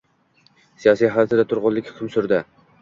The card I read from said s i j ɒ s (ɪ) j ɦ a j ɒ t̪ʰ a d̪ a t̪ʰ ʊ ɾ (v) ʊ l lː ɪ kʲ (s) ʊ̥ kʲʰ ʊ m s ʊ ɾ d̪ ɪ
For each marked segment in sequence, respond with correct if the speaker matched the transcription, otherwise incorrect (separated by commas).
incorrect, incorrect, incorrect